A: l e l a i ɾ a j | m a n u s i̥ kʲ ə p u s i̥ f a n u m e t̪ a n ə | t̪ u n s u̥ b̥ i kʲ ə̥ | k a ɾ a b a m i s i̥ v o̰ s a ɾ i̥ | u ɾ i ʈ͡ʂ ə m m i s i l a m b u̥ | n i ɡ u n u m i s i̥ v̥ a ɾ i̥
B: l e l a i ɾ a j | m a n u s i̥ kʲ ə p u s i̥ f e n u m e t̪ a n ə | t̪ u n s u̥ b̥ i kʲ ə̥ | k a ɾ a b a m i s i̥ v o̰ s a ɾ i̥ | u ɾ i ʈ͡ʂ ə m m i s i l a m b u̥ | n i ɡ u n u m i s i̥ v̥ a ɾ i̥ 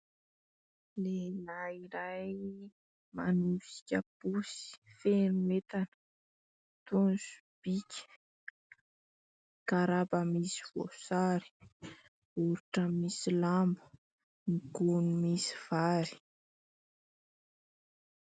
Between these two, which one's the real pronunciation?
B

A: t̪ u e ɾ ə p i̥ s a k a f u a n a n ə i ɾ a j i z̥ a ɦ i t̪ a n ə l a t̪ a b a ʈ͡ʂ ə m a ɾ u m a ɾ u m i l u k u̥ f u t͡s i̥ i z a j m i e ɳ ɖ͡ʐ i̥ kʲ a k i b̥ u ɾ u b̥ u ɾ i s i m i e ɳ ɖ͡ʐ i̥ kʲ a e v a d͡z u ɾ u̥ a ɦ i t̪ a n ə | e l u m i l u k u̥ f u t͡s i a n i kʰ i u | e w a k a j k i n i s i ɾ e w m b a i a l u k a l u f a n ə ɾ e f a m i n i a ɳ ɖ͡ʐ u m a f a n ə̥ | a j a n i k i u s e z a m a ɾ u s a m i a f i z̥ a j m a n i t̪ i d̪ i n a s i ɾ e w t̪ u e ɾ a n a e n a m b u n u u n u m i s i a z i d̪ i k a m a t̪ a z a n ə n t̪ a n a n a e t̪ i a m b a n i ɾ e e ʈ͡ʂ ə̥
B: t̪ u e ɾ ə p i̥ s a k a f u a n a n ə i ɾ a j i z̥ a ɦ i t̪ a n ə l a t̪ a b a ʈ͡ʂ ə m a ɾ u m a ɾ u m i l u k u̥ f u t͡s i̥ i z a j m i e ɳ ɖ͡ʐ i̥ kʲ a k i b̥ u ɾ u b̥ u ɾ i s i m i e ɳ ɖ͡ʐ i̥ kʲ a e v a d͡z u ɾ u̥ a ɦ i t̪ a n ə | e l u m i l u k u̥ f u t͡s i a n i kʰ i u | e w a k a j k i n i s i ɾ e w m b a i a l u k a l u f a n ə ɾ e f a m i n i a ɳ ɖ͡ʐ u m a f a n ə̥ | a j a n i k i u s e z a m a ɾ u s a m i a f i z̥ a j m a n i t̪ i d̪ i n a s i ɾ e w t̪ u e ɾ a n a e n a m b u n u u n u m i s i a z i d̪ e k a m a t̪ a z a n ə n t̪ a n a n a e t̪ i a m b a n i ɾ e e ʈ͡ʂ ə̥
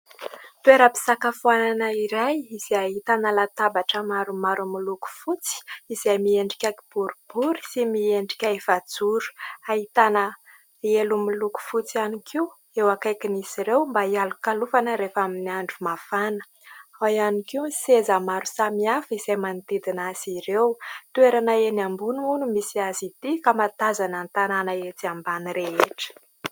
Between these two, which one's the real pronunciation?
A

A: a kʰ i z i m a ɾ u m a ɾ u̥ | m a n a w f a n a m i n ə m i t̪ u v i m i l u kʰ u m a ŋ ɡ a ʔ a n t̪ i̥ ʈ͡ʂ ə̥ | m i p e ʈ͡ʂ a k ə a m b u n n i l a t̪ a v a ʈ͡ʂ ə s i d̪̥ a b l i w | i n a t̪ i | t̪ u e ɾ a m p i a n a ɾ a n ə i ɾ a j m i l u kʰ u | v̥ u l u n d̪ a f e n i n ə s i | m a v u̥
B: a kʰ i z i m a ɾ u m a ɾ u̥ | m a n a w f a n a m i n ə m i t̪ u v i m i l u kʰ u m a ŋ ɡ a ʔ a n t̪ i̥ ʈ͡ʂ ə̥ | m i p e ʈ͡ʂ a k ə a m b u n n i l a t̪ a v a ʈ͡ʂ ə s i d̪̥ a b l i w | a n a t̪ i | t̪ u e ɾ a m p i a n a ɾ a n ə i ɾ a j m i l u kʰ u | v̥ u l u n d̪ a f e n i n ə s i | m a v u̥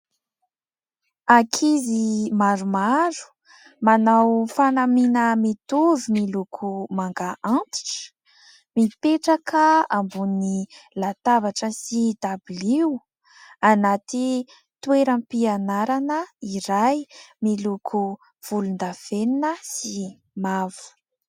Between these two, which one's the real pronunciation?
B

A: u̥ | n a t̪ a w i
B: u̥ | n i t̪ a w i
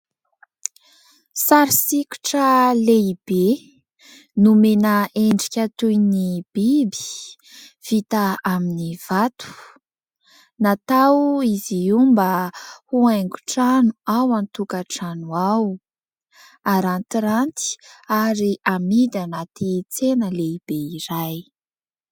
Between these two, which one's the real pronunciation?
A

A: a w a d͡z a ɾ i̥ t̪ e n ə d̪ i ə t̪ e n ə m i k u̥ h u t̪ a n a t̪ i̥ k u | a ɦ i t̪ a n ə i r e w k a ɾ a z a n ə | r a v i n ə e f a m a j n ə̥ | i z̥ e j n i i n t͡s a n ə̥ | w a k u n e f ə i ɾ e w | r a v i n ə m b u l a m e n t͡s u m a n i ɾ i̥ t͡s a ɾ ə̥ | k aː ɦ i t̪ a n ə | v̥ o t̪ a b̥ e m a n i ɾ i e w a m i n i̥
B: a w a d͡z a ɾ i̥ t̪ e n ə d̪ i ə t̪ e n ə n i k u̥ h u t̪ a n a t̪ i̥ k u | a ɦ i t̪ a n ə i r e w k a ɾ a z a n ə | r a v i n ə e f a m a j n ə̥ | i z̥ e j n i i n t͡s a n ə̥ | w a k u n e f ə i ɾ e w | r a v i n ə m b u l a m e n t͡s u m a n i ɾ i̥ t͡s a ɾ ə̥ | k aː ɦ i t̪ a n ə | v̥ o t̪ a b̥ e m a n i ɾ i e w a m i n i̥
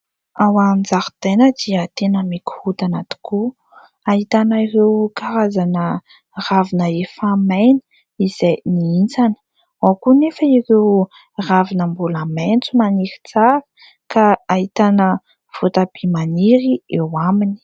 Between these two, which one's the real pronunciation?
A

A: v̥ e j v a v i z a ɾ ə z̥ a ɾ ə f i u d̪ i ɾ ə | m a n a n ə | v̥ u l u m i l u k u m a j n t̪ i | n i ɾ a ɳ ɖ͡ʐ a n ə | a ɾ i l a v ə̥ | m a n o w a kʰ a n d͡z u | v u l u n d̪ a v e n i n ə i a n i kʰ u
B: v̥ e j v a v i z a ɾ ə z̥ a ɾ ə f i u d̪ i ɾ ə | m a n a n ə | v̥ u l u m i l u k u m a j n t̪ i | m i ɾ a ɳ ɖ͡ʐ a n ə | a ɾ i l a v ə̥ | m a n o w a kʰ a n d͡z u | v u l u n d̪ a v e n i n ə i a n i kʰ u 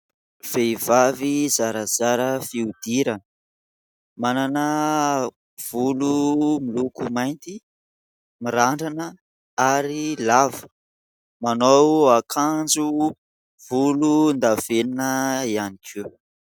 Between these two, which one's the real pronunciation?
B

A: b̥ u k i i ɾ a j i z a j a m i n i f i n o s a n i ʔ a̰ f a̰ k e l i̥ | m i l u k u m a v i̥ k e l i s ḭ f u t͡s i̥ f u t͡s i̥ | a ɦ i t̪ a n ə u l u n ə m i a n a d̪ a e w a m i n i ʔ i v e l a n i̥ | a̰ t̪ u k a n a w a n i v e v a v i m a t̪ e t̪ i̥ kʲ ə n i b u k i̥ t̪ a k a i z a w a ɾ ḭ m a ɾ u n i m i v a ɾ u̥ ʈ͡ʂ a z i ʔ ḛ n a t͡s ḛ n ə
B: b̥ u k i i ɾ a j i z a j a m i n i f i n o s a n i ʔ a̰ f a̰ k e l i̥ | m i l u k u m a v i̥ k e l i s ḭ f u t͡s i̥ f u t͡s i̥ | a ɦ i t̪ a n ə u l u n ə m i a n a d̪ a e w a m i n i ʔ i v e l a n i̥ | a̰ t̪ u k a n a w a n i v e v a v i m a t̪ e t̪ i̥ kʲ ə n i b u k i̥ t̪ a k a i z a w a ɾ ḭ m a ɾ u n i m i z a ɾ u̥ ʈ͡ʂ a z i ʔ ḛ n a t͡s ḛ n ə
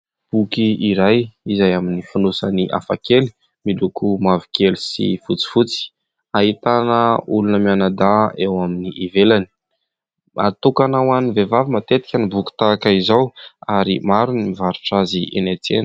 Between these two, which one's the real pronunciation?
A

